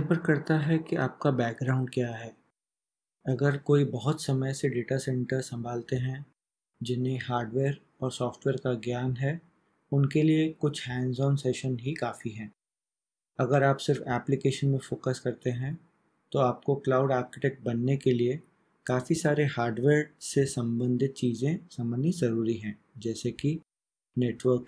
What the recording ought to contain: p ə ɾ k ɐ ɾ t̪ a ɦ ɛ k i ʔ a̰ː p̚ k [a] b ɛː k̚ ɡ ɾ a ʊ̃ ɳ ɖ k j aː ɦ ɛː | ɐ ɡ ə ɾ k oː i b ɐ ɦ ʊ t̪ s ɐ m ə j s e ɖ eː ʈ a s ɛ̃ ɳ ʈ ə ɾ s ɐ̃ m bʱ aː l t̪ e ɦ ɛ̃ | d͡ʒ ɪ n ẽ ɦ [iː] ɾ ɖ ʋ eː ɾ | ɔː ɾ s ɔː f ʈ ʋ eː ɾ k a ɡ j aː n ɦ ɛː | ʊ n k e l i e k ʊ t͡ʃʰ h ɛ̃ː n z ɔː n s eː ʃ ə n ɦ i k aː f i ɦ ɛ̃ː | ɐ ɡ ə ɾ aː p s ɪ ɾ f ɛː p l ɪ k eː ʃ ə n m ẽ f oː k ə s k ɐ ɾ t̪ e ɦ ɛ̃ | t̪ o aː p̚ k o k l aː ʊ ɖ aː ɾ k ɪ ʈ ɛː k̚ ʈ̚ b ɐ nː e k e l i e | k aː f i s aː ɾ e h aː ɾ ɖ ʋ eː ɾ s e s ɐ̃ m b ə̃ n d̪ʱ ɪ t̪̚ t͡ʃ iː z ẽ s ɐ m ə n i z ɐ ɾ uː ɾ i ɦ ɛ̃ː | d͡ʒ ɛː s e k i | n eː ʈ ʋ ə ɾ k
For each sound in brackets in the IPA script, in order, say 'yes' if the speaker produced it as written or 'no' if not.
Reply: yes, no

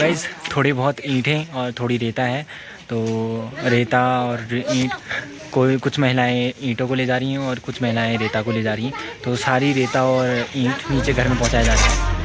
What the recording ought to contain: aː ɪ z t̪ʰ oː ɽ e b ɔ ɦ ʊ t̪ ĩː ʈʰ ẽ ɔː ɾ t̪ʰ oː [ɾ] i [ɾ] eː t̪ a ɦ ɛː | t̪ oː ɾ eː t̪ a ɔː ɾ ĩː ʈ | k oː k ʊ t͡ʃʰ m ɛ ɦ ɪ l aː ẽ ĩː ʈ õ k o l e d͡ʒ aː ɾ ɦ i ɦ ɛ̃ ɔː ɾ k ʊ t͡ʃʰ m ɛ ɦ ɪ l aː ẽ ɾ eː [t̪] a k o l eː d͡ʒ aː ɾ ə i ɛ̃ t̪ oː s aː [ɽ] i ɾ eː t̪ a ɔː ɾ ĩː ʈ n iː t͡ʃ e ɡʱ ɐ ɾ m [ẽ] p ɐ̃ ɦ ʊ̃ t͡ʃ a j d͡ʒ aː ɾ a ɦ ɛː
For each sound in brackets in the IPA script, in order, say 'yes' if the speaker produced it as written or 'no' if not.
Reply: no, yes, yes, no, yes

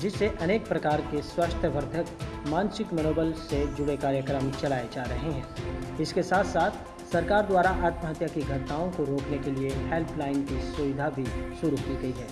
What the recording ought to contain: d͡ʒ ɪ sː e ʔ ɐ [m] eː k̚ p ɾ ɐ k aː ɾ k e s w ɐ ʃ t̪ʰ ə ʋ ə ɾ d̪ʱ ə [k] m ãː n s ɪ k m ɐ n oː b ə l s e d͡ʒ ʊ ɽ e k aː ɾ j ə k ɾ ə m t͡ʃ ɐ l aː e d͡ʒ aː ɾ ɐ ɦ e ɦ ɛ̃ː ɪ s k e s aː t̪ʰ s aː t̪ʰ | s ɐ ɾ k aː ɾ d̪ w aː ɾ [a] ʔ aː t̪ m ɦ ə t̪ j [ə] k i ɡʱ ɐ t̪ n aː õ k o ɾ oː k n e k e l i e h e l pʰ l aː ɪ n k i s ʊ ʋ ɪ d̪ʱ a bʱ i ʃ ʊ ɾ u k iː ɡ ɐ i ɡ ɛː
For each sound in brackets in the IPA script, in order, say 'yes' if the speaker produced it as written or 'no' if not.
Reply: no, yes, yes, no

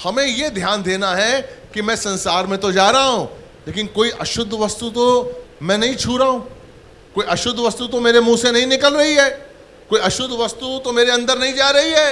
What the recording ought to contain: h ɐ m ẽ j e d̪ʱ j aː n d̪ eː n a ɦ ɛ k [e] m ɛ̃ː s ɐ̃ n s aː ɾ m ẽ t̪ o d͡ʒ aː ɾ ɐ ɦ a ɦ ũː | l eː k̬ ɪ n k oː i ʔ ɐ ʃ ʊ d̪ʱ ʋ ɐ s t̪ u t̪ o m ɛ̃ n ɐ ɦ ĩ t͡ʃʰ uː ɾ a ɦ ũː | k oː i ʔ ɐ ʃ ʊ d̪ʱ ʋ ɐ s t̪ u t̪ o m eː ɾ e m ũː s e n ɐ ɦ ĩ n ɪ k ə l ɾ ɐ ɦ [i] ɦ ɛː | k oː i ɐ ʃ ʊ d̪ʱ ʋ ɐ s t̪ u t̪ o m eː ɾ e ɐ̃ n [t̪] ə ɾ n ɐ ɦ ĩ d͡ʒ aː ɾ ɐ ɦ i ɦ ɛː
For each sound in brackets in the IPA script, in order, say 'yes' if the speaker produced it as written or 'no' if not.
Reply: no, yes, no

